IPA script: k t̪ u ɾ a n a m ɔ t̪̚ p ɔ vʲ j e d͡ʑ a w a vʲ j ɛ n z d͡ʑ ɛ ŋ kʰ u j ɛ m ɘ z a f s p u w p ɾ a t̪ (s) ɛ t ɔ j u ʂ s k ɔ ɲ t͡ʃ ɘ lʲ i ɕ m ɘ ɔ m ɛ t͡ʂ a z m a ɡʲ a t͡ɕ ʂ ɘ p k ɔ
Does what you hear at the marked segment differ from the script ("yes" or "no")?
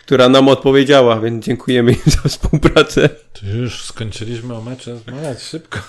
no